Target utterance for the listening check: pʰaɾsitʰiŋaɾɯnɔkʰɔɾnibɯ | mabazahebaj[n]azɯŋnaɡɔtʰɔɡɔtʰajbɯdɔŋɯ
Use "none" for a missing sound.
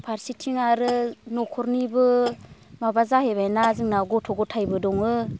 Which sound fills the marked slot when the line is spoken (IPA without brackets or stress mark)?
n